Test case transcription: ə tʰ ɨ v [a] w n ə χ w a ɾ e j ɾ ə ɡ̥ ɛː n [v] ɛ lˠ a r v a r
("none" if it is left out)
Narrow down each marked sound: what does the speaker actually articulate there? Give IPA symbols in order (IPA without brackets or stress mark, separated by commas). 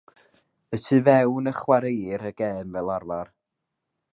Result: ɛ, v